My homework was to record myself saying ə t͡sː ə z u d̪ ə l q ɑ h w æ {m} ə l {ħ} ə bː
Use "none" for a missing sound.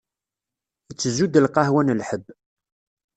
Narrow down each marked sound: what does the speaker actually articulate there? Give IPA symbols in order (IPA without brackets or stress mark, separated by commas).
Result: n, ħ